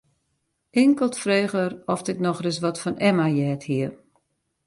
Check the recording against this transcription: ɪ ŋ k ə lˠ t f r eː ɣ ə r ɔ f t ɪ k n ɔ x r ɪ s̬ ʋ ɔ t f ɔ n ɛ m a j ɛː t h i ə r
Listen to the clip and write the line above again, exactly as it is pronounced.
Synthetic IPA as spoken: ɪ ŋ k ə lˠ t f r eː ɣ ə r ɔ f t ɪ k n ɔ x r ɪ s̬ ʋ ɔ t f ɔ n ɛ m a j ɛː t h i ə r